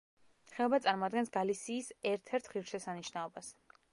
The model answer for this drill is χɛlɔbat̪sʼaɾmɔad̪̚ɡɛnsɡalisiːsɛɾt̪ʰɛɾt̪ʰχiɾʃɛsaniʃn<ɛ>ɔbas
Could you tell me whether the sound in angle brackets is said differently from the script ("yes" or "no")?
yes